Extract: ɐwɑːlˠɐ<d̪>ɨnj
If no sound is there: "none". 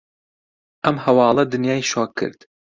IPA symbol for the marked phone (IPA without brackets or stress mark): d̪